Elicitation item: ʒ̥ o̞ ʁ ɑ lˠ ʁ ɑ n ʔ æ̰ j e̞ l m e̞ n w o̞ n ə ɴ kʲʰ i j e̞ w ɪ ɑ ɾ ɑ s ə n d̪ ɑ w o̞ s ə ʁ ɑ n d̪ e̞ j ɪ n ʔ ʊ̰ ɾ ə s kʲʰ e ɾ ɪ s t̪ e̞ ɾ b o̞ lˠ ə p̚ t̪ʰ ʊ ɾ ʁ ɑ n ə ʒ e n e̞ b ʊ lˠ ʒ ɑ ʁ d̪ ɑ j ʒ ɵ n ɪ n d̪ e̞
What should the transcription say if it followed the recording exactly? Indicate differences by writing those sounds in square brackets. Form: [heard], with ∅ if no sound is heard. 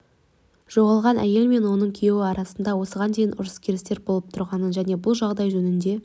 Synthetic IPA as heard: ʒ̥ o̞ ʁ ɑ lˠ ʁ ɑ n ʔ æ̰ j e̞ l m e̞ n w o̞ n ə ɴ kʲʰ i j e̞ w ɪ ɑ ɾ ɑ s ə n d̪ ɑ w o̞ s ə ʁ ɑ n d̪ e̞ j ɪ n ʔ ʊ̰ ɾ ə s kʲʰ e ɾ ɪ s t̪ e̞ ɾ b o̞ lˠ ə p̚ t̪ʰ ʊ ɾ ʁ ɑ n ə ʒ [æ] n e̞ b ʊ lˠ ʒ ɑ ʁ d̪ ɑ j ʒ ɵ n ɪ n d̪ e̞